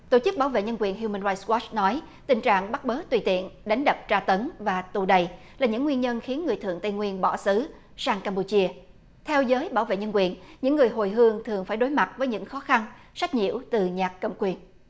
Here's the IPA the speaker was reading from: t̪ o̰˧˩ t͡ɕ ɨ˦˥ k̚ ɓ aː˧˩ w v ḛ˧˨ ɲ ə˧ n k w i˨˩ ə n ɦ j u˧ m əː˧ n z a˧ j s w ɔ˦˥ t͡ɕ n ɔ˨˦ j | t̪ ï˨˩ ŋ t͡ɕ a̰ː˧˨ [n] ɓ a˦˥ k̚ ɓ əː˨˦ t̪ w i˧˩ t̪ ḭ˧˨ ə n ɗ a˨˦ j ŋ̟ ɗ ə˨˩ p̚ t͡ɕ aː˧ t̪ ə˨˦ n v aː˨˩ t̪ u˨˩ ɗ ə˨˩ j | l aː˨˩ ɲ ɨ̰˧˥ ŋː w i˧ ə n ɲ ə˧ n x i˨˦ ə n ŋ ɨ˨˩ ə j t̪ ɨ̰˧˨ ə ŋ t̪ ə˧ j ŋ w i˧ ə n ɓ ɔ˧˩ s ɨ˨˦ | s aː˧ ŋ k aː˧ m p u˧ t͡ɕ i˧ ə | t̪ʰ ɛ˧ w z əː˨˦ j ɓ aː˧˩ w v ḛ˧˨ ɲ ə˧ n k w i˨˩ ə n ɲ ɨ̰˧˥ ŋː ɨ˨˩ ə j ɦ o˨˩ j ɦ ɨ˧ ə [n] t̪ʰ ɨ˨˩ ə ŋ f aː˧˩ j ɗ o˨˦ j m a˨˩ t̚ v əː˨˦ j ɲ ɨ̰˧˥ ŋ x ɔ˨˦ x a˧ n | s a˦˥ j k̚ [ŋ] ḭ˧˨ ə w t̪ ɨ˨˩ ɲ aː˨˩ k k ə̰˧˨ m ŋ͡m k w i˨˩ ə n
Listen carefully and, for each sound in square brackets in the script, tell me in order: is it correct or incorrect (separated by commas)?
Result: incorrect, incorrect, incorrect